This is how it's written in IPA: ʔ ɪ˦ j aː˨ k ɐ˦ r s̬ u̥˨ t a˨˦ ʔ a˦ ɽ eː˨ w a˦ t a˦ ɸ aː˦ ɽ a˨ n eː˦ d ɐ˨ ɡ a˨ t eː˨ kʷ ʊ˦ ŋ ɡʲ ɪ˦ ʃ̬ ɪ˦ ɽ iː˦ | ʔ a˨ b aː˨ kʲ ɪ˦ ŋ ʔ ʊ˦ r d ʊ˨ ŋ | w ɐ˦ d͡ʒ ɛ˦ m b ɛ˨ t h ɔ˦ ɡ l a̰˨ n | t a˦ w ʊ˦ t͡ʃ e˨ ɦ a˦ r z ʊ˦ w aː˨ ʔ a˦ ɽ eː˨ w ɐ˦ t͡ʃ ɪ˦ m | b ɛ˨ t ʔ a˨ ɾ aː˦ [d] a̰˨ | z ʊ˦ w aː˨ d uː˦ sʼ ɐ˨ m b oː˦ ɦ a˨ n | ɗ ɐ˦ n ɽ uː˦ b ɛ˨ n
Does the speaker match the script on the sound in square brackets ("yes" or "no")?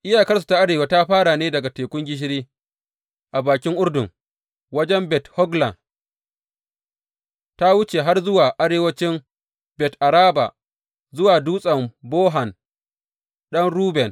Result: no